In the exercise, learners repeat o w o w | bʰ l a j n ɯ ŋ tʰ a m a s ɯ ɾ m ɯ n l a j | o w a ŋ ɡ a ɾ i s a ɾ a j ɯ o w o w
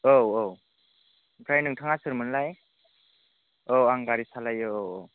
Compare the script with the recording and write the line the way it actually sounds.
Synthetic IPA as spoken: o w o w | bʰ ɾ a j n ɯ ŋ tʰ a ŋ a s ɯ ɾ m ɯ n l a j | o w a ŋ ɡ a ɾ i s a l a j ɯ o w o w

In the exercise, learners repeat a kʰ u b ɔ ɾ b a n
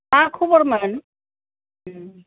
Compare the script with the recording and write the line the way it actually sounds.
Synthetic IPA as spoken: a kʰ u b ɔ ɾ m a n

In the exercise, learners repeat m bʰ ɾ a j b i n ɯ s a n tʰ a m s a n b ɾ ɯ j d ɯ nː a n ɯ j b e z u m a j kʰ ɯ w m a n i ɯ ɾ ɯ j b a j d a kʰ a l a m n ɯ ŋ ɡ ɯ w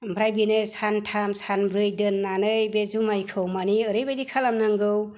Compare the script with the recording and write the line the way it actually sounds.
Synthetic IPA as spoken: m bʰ ɾ a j b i n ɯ s a n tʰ a m s a n b ɾ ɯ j d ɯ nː a n ɯ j b e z u m a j kʰ ɯ w m a n i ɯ ɾ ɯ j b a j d i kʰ a l a m n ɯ ŋ ɡ ɯ w

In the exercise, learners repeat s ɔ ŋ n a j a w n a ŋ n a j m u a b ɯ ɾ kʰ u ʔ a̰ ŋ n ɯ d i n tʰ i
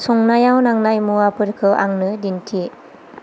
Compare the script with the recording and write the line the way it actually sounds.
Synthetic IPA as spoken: s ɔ ŋ n a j a w n a ŋ n a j m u a p ɯ ɾ kʰ ɯ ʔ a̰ ŋ n ɯ d i n tʰ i

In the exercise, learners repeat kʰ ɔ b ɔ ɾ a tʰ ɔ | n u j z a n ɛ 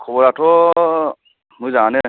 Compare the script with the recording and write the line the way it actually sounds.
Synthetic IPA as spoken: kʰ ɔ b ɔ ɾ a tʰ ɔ | m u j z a n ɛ

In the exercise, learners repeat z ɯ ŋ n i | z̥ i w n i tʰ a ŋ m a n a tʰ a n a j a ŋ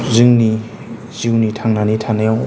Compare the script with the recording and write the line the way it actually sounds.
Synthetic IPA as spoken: z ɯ ŋ n i | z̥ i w n i tʰ a ŋ n a n i tʰ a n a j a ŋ

